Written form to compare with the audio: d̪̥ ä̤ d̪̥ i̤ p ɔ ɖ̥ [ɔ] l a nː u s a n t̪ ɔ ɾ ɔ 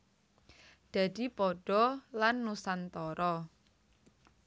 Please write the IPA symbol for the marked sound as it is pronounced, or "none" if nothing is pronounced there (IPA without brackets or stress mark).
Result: ɔ